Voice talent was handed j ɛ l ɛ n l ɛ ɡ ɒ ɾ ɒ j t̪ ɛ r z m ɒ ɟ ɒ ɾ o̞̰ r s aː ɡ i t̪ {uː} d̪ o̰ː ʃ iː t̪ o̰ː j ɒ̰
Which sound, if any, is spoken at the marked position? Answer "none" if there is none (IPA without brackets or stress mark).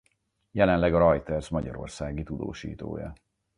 u